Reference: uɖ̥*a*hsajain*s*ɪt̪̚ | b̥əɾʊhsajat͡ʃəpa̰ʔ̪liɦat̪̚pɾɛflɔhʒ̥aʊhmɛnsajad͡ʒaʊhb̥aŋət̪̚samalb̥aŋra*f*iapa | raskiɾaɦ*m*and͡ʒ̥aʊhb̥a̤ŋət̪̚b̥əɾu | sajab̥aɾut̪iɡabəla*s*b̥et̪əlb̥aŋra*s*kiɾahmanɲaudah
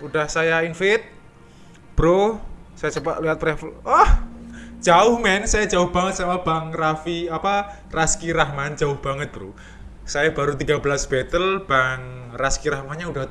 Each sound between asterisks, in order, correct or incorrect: correct, incorrect: f, correct, correct, correct, correct

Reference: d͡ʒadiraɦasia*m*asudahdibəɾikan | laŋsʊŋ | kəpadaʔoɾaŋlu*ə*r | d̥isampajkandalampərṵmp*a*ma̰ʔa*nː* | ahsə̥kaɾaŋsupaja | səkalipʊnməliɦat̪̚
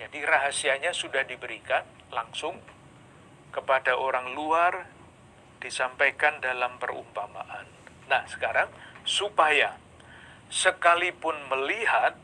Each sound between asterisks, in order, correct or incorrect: incorrect: ɲ, incorrect: a, correct, correct

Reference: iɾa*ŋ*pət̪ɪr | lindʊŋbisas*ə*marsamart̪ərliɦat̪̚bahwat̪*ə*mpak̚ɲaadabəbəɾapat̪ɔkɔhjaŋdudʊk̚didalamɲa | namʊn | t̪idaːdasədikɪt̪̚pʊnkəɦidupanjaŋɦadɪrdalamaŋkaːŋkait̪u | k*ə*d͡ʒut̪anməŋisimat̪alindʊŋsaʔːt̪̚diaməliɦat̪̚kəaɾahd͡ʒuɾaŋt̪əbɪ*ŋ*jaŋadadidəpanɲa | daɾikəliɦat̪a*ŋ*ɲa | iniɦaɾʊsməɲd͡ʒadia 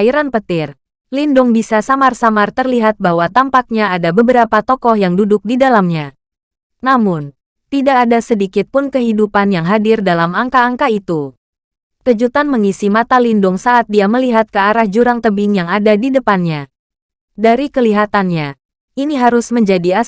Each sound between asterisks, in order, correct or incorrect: incorrect: n, incorrect: a, incorrect: a, correct, correct, incorrect: n

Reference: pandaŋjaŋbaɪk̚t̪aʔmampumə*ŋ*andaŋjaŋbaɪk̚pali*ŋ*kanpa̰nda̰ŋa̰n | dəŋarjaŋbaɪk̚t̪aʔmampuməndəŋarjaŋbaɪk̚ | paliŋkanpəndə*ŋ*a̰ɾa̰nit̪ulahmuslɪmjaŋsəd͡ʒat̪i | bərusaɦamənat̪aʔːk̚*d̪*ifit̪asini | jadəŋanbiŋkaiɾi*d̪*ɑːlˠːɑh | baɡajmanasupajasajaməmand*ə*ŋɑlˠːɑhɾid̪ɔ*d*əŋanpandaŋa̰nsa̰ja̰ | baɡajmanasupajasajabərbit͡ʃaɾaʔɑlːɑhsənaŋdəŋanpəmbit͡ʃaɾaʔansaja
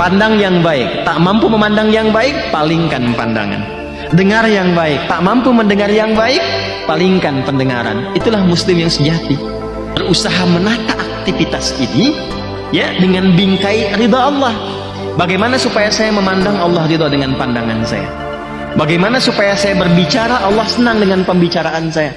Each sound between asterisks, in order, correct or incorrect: incorrect: m, correct, correct, incorrect: t̪, correct, incorrect: a, correct

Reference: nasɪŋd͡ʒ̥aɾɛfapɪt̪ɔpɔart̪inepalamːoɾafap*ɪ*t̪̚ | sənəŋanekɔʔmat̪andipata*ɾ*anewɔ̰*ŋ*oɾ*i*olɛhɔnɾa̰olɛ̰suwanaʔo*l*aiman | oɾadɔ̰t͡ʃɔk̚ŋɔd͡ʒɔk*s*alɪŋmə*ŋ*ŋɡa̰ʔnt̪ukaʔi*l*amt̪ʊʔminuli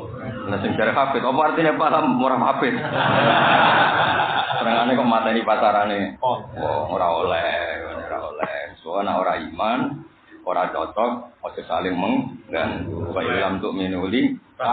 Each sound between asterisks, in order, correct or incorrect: correct, correct, correct, incorrect: a, incorrect: ɾ, correct, correct, correct

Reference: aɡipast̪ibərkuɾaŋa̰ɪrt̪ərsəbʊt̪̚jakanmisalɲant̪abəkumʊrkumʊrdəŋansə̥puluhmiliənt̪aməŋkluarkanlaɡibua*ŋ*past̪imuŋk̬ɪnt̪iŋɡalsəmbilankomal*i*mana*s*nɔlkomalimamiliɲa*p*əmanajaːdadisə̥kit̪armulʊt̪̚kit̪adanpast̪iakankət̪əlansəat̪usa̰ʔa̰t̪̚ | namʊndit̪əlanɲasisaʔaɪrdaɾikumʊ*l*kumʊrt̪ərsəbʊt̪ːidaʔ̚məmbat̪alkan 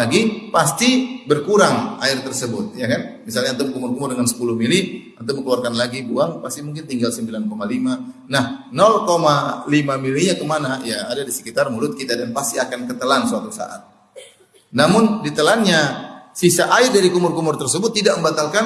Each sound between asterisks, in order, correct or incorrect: correct, correct, incorrect: h, incorrect: k, incorrect: r

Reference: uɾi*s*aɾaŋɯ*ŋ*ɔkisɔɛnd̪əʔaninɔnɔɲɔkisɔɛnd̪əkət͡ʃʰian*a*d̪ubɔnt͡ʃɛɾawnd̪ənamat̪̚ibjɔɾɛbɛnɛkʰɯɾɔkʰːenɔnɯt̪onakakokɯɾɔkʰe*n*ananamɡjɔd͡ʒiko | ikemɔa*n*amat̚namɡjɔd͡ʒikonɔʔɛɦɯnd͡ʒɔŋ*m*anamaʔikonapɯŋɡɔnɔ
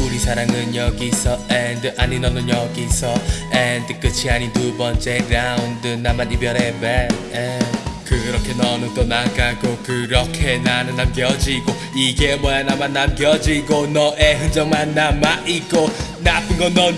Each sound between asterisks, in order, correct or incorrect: correct, incorrect: ɲ, incorrect: i, correct, correct, correct

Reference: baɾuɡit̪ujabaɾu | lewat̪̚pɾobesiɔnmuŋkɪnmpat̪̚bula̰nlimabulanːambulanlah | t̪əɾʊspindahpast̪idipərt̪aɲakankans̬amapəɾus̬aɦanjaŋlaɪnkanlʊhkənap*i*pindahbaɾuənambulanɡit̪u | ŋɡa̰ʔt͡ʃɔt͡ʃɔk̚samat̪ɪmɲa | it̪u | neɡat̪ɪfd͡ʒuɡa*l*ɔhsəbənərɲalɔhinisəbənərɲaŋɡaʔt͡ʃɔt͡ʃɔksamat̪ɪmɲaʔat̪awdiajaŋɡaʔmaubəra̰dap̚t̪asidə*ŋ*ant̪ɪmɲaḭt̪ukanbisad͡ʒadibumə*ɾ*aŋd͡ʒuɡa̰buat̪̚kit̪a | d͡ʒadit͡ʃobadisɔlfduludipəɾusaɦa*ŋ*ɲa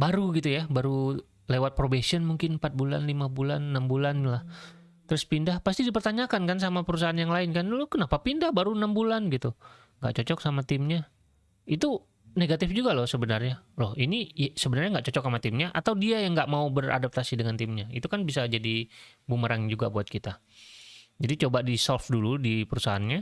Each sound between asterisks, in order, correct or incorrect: incorrect: a, correct, correct, correct, incorrect: n

